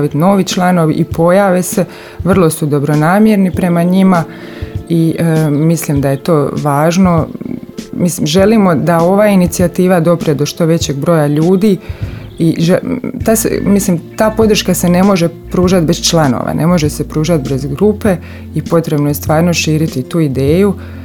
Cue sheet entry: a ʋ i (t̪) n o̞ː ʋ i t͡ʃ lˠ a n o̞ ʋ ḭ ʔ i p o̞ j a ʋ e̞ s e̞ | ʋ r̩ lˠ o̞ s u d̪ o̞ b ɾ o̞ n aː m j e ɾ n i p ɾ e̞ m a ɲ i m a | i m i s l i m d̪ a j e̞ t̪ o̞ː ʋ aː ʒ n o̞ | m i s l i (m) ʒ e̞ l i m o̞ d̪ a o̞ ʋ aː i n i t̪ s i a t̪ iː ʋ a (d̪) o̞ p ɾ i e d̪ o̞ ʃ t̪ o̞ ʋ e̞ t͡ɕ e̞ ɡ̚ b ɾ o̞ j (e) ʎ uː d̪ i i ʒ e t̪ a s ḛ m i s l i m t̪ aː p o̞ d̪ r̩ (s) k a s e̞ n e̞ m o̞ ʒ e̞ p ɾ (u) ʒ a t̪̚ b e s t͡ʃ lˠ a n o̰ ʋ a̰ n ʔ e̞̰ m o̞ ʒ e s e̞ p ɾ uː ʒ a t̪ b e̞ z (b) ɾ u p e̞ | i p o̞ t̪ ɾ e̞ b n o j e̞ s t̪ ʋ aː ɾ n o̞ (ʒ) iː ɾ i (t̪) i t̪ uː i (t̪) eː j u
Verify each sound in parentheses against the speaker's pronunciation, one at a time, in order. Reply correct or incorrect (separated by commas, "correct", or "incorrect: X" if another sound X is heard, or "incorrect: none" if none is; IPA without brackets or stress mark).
correct, correct, correct, incorrect: a, incorrect: ʃ, incorrect: uː, incorrect: ɡ, incorrect: ʃ, correct, incorrect: d̪